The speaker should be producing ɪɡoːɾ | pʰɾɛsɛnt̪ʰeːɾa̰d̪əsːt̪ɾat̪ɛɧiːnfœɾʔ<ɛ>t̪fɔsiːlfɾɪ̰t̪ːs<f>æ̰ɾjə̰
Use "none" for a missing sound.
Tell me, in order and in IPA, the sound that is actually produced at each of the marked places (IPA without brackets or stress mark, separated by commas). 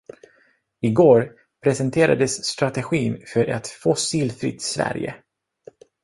ɛ, v